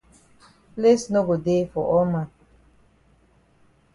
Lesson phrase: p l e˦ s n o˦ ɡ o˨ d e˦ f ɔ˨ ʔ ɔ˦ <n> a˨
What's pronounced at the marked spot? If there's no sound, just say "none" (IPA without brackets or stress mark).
m